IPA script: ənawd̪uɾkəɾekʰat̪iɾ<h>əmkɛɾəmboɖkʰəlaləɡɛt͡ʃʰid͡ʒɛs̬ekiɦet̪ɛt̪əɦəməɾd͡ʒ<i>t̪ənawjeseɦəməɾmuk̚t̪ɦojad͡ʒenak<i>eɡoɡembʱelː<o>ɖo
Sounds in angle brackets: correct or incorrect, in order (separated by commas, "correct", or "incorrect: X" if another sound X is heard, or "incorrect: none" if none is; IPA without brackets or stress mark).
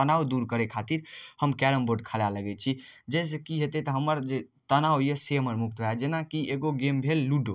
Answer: correct, incorrect: e, correct, incorrect: u